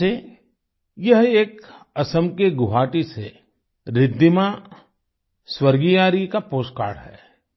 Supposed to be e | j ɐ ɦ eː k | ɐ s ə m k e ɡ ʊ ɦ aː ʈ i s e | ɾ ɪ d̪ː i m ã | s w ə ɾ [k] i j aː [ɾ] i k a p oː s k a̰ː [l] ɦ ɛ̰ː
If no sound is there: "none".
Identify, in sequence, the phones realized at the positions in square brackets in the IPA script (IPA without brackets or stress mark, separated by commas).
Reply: ɡ, ɾ, ɽ